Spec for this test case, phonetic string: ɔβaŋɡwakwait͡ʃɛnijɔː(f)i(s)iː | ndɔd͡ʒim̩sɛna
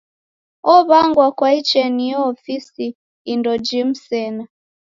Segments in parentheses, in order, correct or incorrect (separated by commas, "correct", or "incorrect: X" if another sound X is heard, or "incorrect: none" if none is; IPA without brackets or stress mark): correct, correct